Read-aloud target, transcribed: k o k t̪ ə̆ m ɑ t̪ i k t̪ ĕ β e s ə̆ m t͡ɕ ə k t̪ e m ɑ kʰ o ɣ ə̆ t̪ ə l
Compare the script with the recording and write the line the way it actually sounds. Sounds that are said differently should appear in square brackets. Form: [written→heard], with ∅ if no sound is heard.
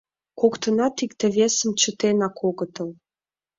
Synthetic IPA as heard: k o k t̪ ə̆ [m→n] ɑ t̪ i k t̪ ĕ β e s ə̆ m t͡ɕ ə [k→∅] t̪ e [m→n] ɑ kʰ o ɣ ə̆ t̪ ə l